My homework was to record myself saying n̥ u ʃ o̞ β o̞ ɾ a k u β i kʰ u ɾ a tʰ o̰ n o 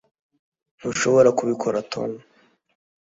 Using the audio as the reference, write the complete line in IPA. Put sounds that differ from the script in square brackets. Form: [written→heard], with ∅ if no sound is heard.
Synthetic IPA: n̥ u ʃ o̞ β o̞ ɾ a k u β i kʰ [u→o] ɾ a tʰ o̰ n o

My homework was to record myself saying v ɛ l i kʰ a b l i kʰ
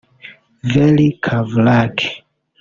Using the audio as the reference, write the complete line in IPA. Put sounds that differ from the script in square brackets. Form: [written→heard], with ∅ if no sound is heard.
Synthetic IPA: v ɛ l i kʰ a [b→v] l [i→a] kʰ

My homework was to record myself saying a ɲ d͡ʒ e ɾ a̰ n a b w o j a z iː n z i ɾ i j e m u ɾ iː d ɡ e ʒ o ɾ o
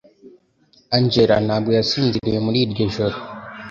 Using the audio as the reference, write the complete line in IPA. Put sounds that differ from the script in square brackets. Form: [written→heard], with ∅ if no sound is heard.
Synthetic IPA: a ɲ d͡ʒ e ɾ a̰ n a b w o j a [z→s] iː n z i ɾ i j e m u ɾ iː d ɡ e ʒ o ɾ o

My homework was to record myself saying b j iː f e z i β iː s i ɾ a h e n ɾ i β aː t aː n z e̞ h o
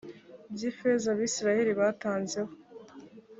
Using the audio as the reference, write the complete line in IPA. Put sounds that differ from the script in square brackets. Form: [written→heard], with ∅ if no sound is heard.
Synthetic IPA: b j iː f e z [i→a] β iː s i ɾ a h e [n→∅] ɾ i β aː t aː n z e̞ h o

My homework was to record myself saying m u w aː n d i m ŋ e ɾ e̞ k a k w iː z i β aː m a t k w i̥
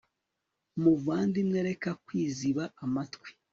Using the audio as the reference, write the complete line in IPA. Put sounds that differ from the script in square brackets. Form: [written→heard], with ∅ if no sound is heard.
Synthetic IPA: m u [w→v] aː n d i m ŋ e ɾ e̞ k a k w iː z i β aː m a t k w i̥

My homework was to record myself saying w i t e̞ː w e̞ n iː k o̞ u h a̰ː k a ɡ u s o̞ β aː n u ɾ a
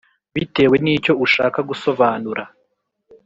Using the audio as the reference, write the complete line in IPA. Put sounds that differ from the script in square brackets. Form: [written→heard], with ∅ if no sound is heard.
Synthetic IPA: [w→β] i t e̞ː w e̞ n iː [k→c] o̞ u [h→ʃ] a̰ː k a ɡ u s o̞ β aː n u ɾ a

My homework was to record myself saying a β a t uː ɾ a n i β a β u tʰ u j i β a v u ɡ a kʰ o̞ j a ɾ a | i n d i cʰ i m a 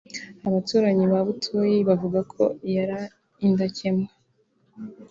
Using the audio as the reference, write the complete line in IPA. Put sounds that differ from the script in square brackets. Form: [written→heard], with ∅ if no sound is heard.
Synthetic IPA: a β a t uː ɾ a [n→ɲ] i β a β u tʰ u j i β a v u ɡ a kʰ o̞ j a ɾ a | i n d [i→a] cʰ [i→e] m a

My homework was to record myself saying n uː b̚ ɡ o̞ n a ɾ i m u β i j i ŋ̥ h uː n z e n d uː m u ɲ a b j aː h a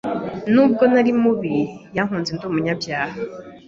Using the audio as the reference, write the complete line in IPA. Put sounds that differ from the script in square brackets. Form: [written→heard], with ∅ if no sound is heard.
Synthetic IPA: n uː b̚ ɡ o̞ n a ɾ i m u β i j [i→a] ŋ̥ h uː n z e n d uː m u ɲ a b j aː h a

